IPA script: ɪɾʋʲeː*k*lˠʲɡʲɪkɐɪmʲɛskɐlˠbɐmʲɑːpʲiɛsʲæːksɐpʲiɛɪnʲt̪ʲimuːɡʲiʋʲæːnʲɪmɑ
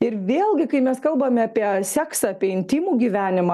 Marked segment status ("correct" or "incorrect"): incorrect